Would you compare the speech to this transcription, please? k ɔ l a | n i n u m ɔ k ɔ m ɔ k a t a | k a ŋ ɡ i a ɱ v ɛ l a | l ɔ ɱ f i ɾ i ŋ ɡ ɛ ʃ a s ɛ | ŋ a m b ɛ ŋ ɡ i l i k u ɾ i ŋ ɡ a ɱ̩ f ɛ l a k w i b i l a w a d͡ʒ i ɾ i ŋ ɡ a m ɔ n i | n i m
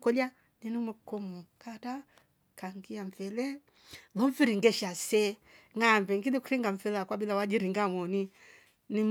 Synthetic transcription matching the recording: k ɔ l a | n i n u m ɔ k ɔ m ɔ k a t a | k a ŋ ɡ i a ɱ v ɛ l ɛ | l ɔ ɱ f i ɾ i ŋ ɡ ɛ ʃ a s ɛ | ŋ a m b ɛ ŋ ɡ i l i k u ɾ i ŋ ɡ a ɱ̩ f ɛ l a k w a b i l a w a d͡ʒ i ɾ i ŋ ɡ a m ɔ n i | n i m